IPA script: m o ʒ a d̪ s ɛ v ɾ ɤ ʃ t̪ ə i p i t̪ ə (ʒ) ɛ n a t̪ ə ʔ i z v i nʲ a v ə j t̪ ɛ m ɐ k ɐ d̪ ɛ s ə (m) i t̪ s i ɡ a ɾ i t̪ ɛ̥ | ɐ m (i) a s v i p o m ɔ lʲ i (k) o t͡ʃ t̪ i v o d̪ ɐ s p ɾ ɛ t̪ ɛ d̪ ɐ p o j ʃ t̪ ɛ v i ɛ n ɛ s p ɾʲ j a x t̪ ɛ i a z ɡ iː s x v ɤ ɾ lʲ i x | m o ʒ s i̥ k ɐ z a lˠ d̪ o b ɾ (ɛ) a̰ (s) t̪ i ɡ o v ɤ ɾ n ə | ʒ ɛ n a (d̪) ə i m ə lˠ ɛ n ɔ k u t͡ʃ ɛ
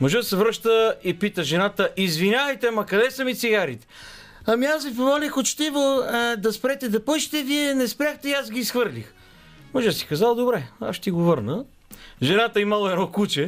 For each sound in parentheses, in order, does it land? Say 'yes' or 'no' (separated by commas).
yes, yes, yes, no, yes, no, no